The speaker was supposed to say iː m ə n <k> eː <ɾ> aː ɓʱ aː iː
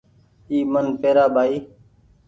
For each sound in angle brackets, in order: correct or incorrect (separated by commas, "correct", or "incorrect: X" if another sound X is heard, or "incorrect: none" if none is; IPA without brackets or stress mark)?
incorrect: p, correct